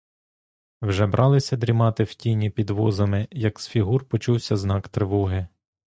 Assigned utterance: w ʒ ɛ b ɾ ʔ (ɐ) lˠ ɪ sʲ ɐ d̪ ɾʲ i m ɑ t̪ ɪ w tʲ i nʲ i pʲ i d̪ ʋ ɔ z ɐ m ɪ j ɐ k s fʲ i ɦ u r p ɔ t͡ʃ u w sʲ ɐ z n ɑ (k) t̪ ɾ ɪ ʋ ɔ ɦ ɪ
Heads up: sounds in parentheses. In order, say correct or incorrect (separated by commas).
incorrect, correct